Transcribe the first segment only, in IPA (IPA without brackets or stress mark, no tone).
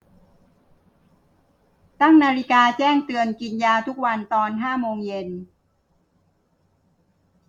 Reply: t̪